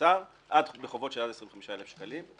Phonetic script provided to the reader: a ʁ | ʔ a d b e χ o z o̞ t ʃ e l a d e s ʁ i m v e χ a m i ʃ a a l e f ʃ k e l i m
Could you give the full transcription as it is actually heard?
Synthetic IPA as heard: a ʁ | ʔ a d b e χ o v o̞ t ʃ e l a d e s ʁ i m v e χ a m i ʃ a e l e f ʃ k a l i m